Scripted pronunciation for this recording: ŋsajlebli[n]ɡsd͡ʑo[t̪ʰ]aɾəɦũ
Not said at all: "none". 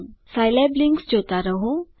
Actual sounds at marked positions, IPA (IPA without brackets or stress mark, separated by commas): ŋ, t̪